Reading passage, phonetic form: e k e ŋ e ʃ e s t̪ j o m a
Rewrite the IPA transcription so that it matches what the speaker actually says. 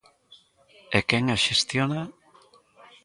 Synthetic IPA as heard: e k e ŋ a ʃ e s t̪ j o n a